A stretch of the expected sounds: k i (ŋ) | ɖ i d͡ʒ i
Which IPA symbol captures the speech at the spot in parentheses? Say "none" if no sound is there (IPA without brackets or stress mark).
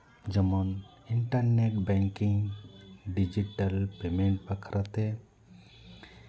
ŋ